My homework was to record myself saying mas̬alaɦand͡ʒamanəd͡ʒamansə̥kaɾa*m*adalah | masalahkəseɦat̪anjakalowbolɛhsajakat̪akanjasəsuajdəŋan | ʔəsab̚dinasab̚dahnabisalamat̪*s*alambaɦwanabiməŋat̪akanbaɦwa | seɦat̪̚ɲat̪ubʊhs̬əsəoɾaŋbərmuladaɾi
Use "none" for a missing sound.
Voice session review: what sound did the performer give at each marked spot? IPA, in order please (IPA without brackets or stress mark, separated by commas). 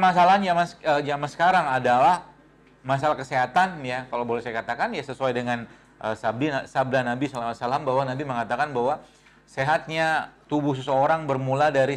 ŋ, s